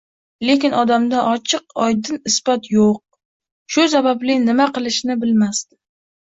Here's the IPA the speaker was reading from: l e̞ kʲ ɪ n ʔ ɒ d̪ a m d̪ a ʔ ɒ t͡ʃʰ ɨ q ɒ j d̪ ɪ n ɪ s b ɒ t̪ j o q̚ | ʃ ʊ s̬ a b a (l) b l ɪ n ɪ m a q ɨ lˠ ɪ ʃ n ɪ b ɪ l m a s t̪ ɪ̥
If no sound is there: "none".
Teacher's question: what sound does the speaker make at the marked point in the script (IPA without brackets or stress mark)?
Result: none